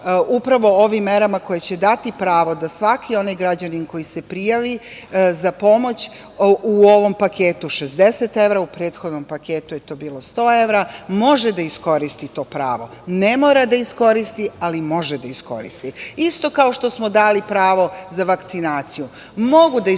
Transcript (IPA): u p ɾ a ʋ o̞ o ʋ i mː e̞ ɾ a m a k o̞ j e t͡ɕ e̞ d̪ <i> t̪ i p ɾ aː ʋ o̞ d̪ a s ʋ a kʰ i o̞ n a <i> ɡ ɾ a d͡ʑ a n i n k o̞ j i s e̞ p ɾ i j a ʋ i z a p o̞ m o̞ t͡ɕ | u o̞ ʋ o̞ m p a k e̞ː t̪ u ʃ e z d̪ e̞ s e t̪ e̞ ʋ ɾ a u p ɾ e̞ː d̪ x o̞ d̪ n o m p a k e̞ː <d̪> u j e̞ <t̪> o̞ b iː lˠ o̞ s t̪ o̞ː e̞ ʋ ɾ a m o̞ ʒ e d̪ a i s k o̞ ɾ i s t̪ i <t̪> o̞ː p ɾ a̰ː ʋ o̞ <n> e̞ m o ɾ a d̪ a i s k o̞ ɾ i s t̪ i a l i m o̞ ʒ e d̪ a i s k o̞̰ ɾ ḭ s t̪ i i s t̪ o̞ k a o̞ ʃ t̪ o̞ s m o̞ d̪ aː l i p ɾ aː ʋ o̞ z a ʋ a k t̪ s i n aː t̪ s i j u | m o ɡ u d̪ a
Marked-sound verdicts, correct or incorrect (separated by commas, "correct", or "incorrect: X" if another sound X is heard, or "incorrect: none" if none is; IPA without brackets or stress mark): incorrect: a, incorrect: j, incorrect: t̪, correct, correct, correct